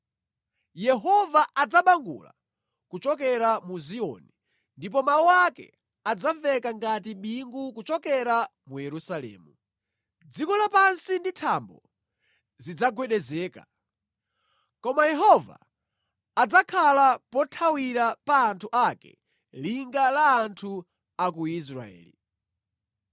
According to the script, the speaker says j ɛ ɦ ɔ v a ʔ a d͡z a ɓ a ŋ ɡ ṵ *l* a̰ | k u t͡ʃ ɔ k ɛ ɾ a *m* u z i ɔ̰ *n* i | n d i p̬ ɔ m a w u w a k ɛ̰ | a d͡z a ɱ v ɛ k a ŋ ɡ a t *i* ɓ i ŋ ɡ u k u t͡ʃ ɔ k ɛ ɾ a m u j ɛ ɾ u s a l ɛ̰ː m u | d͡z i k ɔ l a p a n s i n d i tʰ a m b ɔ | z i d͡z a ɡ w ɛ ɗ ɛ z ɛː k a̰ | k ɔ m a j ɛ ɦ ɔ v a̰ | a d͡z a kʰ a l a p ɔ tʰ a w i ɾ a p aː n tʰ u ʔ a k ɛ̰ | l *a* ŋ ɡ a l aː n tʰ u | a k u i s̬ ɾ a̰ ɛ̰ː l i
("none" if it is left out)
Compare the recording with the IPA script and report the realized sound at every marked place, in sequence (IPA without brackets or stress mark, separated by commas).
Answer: l, m, n, i, i